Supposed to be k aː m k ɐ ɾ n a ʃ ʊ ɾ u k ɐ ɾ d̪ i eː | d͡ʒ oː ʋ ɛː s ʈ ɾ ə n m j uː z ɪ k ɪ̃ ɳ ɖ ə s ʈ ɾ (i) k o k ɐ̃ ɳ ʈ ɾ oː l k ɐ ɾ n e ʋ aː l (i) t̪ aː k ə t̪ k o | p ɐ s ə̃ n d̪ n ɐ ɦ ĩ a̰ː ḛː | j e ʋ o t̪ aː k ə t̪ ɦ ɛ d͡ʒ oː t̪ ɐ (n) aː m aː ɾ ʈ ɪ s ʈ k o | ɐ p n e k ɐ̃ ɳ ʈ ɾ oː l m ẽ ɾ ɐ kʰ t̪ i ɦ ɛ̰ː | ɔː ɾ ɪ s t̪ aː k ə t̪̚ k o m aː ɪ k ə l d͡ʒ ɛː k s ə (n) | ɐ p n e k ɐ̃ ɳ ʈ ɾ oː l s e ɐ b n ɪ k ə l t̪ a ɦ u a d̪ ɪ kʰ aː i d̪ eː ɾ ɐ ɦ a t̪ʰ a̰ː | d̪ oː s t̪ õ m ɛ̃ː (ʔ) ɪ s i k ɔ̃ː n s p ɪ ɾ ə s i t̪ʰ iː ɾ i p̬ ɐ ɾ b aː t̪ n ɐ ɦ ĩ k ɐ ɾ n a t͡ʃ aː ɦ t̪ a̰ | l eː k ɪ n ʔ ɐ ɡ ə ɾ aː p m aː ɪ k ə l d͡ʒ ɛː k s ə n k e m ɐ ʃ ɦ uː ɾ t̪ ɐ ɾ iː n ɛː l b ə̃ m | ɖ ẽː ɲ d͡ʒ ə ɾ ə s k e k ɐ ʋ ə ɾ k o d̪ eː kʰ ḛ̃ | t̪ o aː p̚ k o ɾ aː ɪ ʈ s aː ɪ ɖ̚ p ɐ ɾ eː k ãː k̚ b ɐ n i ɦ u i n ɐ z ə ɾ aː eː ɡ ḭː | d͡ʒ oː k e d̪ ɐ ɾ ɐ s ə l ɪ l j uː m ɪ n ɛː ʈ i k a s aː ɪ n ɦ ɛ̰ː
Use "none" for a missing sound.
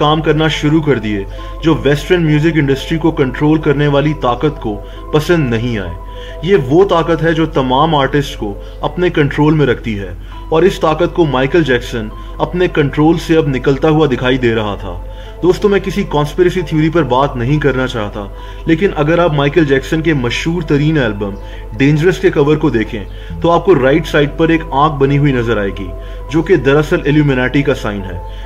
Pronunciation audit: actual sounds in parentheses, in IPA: i, i, m, n, k

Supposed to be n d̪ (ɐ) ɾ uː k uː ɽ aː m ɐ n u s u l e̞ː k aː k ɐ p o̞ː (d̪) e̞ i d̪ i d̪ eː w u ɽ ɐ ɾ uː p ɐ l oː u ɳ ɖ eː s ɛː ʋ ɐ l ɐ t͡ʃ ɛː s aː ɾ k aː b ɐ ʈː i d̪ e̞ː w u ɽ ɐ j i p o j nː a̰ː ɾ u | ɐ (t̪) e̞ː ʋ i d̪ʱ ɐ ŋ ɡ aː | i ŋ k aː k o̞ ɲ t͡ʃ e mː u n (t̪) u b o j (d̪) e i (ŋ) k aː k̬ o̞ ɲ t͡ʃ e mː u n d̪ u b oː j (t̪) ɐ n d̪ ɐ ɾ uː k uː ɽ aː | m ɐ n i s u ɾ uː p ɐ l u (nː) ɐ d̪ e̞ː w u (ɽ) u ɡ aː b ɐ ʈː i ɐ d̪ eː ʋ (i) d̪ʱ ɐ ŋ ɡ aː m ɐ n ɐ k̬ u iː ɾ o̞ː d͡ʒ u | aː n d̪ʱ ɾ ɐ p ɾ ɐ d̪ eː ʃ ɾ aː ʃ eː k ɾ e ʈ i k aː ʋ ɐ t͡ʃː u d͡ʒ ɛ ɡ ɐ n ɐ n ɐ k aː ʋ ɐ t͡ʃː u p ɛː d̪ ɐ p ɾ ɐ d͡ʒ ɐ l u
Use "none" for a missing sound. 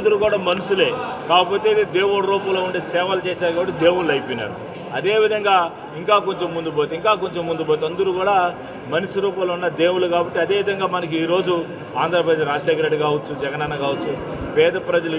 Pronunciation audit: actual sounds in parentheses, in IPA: ɐ, t̪, d̪, d̪, t̪, ŋ, t̪, nː, l, i

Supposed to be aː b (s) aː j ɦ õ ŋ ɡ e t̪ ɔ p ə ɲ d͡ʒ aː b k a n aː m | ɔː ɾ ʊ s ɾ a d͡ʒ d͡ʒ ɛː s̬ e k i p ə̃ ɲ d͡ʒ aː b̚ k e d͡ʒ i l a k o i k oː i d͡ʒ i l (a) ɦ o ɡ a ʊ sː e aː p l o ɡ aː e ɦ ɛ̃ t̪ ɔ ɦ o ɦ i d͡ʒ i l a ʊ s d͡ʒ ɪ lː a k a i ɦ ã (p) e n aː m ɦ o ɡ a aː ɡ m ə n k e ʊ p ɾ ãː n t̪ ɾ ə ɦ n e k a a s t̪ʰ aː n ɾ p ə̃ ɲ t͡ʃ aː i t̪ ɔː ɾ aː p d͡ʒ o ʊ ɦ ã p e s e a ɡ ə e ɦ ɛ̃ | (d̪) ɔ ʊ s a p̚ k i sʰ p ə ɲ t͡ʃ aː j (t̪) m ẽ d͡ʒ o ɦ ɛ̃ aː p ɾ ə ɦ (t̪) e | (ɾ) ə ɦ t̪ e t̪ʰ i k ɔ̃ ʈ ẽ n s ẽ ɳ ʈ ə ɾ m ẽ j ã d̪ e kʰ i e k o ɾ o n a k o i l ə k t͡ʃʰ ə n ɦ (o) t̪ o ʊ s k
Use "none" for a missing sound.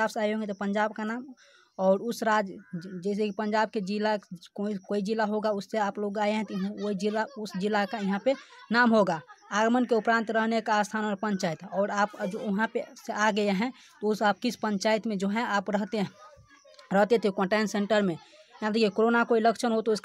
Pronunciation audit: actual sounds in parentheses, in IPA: s, a, p, t̪, t̪, t̪, ɾ, o

